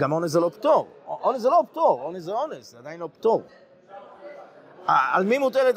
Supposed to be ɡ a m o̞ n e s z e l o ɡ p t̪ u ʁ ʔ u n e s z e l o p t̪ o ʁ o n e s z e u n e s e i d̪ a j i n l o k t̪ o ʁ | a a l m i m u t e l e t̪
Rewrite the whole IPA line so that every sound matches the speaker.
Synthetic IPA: ɡ a m o̞ n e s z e l o p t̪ o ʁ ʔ o n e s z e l o p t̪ o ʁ o n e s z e o n e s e a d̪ a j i n l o p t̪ o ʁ | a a l m i m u t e l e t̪